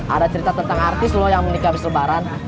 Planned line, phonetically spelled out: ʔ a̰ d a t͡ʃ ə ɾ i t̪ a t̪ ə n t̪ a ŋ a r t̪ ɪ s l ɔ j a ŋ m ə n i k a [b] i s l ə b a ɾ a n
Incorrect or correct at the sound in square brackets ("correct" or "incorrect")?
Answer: correct